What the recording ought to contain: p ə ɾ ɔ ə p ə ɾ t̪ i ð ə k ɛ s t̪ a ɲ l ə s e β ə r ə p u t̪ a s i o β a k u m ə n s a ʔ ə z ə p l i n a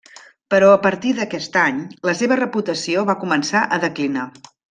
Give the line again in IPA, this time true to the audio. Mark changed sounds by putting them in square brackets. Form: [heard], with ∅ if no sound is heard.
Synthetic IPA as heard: p ə ɾ ɔ ə p ə ɾ t̪ i ð ə k ɛ s t̪ a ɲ l ə s e β ə r ə p u t̪ [ə] s i o β a k u m ə n s a ʔ ə [ð] ə [k] l i n a